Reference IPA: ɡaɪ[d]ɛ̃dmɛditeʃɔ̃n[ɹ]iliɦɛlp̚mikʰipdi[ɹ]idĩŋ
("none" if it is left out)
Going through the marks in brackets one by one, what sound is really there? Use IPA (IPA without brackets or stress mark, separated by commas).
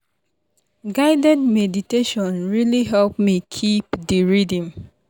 d, ɹ, ɹ